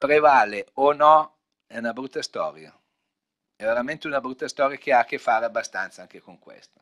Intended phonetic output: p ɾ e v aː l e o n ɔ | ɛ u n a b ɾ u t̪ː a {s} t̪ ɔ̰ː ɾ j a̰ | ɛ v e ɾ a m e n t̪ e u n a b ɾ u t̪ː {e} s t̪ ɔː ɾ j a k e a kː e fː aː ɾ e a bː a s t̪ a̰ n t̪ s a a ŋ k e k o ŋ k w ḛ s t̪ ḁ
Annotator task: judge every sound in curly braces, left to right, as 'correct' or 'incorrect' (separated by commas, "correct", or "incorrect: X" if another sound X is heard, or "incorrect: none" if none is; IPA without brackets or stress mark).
correct, incorrect: a